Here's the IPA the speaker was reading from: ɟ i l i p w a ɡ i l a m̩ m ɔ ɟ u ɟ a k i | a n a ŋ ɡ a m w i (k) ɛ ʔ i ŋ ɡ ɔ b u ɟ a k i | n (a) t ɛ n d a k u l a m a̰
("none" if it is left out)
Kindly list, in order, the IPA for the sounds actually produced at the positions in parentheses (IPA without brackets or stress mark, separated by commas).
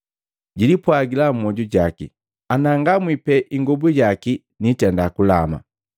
p, i